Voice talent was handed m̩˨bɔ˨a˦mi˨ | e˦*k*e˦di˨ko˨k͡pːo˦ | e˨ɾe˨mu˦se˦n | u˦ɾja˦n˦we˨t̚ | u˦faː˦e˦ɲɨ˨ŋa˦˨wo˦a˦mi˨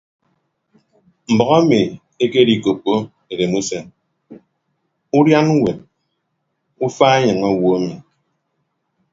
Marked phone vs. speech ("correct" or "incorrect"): correct